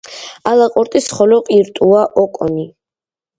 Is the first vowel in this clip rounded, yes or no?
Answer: no